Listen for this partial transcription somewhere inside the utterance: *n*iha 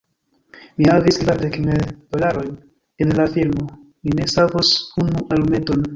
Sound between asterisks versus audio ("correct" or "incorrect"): incorrect